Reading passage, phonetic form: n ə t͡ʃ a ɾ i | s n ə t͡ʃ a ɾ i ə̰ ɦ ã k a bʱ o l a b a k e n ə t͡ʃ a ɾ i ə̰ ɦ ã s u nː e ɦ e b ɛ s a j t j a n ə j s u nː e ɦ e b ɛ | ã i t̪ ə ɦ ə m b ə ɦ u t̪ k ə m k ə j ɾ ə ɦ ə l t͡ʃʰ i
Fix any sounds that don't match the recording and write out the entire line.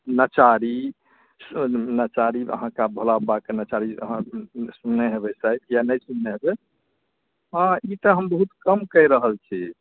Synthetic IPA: n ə t͡ʃ a ɾ i | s n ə t͡ʃ a ɾ i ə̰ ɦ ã k a bʱ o l a b a k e n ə t͡ʃ a ɾ i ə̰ ɦ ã s u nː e ɦ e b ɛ s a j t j a n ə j s u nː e ɦ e b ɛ | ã i t̪ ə ɦ ə m b ə ɦ u t̪ k ə m k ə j ɾ ə ɦ ə l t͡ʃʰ i

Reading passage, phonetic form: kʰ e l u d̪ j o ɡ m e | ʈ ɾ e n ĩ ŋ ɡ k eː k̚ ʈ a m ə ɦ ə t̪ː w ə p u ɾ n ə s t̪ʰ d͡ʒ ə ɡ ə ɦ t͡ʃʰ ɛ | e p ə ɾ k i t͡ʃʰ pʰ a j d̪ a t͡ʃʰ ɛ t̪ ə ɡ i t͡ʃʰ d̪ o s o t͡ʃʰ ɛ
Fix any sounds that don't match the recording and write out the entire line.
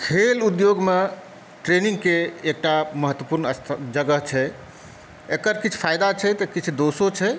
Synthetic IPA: kʰ e l u d̪ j o ɡ m e | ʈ ɾ e n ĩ ŋ ɡ k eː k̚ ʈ a m ə ɦ ə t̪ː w ə p u ɾ n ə s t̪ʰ d͡ʒ ə ɡ ə ɦ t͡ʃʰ ɛ | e k ə ɾ k i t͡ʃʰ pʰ a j d̪ a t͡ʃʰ ɛ t̪ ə k i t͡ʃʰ d̪ o s o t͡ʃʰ ɛ

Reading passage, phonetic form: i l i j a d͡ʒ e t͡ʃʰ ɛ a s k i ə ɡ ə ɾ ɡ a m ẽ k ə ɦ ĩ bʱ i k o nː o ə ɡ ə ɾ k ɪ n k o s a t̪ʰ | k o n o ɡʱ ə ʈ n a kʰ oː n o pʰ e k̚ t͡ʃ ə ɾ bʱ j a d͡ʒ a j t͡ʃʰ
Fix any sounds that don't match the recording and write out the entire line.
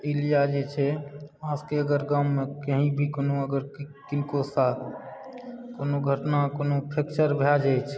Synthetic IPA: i l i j a d͡ʒ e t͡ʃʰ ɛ a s k e ə ɡ ə ɾ ɡ a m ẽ k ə ɦ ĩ bʱ i k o n o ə ɡ ə ɾ k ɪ n k o s a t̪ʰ | k o n o ɡʱ ə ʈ n a k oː n o pʰ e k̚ t͡ʃ ə ɾ bʱ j a d͡ʒ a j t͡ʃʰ

